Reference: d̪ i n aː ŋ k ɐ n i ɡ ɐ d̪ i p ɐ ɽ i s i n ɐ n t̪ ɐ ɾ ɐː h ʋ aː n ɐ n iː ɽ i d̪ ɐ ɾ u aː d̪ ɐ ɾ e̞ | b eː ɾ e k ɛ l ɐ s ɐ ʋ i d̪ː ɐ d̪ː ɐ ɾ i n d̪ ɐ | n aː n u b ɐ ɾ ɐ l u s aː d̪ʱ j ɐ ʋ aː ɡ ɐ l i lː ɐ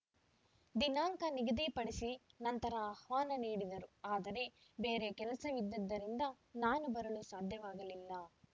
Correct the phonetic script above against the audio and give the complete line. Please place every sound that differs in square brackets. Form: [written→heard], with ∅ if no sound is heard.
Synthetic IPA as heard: d̪ i n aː ŋ k ɐ n i ɡ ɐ d̪ i p ɐ ɽ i s i n ɐ n t̪ ɐ ɾ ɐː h ʋ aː n ɐ n iː ɽ i d̪ ɐ ɾ u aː d̪ ɐ ɾ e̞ | b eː ɾ e k ɛ l ɐ s ɐ ʋ i d̪ː ɐ d̪ː ɐ ɾ i n d̪ ɐ | n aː n u b ɐ ɾ ɐ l u s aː d̪ʱ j ɐ ʋ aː ɡ ɐ l i lː ɐ